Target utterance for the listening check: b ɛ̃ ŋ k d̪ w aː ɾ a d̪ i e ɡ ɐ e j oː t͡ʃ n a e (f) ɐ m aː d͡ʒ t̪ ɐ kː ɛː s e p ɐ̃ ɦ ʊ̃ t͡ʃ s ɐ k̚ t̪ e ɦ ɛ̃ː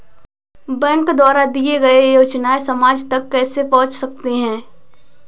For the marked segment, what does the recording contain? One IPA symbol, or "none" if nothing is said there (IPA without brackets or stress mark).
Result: s